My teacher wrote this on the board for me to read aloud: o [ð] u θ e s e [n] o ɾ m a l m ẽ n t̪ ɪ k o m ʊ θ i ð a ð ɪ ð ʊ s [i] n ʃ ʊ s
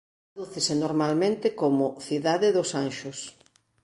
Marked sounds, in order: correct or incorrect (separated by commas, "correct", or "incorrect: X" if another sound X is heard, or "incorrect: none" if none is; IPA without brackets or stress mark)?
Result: correct, correct, incorrect: a